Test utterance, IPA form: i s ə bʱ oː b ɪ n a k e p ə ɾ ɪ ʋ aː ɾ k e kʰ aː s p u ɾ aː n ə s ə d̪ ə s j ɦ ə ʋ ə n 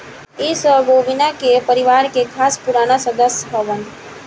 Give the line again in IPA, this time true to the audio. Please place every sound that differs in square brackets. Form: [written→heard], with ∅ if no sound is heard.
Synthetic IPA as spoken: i s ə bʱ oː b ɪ n a k e p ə ɾ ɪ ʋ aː ɾ k e kʰ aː s p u ɾ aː n [ə→a] s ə d̪ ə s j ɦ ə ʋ ə n